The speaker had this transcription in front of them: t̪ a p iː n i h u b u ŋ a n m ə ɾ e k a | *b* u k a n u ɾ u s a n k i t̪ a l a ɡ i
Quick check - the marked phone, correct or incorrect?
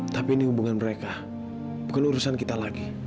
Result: correct